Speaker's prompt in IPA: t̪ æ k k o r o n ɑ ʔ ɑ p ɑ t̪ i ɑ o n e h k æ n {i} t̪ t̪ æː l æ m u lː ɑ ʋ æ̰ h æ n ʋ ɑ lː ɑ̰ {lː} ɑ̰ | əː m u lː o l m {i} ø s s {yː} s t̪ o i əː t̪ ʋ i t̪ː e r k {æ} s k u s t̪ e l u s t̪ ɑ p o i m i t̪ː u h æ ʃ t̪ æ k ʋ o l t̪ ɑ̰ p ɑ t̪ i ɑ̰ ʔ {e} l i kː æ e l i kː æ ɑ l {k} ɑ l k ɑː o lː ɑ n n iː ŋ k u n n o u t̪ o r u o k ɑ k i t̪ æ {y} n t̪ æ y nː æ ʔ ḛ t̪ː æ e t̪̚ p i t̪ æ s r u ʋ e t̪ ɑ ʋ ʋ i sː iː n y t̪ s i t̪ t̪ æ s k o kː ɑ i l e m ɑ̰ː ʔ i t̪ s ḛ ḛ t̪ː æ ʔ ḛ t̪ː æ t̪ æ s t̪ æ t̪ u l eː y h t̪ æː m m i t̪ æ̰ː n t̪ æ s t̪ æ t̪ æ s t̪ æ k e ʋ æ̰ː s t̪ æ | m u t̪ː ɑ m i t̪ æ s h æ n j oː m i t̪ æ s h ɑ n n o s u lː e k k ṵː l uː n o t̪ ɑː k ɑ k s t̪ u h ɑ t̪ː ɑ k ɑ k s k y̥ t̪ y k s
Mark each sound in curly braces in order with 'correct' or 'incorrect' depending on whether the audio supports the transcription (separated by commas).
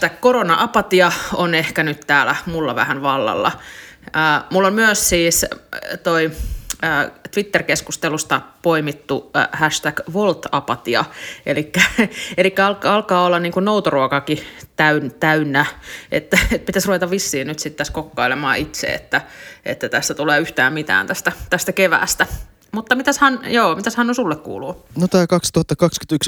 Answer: incorrect, correct, incorrect, incorrect, incorrect, correct, correct, correct